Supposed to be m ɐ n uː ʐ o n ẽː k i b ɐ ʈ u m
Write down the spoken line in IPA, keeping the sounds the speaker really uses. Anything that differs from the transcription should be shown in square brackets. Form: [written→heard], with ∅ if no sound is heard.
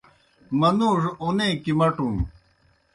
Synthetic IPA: m ɐ n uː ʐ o n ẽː k i [b→m] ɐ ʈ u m